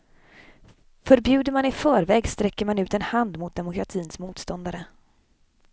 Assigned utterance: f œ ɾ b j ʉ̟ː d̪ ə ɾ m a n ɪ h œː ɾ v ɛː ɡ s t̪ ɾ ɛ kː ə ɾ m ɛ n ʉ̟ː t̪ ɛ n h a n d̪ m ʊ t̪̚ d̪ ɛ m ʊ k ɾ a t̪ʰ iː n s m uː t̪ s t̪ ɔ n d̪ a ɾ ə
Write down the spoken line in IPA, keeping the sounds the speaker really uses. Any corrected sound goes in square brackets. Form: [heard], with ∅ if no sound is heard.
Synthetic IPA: f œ ɾ b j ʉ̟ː d̪ ə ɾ m a n ɪ [f] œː ɾ v ɛː ɡ s t̪ ɾ ɛ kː ə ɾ m [a] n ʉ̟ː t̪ ɛ n h a n d̪ m ʊ t̪̚ d̪ ɛ m ʊ k ɾ a t̪ʰ iː n s m uː t̪ s t̪ ɔ n d̪ a ɾ ə